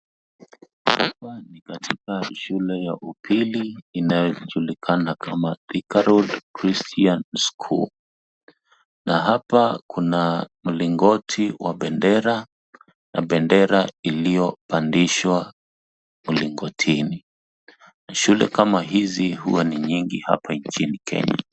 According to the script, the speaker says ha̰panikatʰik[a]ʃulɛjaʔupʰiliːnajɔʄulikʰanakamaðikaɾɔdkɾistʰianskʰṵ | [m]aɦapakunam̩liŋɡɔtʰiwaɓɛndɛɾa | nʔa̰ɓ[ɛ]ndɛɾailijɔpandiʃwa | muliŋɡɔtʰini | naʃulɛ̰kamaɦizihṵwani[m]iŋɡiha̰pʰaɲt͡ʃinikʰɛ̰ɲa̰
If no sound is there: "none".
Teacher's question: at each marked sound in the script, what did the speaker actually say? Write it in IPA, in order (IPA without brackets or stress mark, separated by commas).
a, n, ɛ, ɲ